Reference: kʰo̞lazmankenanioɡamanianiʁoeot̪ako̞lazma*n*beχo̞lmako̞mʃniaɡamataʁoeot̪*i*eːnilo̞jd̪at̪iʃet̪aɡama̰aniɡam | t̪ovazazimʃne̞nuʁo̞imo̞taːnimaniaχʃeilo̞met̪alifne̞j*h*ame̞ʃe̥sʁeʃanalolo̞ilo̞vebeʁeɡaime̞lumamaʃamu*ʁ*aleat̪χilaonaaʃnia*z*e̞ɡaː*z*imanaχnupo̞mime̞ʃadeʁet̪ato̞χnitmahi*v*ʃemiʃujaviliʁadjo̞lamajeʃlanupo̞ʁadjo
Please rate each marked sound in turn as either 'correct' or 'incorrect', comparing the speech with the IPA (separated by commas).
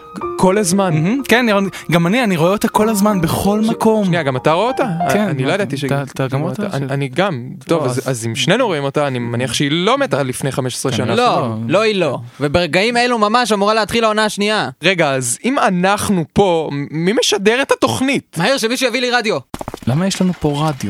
correct, incorrect, incorrect, correct, incorrect, correct, incorrect